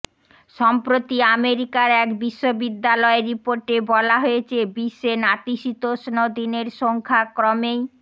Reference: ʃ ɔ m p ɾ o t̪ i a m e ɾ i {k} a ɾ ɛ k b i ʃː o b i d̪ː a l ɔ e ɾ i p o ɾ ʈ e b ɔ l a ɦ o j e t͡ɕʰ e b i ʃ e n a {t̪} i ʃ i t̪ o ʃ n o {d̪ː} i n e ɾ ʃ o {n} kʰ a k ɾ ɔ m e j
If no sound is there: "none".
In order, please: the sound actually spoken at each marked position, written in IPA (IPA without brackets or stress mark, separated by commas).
k, t̪, d̪, ŋ